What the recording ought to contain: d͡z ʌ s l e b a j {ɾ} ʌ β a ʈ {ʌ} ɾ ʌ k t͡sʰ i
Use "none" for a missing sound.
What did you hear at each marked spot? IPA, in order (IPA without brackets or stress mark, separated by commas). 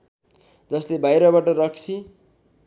ɾ, ʌ